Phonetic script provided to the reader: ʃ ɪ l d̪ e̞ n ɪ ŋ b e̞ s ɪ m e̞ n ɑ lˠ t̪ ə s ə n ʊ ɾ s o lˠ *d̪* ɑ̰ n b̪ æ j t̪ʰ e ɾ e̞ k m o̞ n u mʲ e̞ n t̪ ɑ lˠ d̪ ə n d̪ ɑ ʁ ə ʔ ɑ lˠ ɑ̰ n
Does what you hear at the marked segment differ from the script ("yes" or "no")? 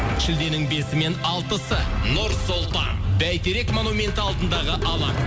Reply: yes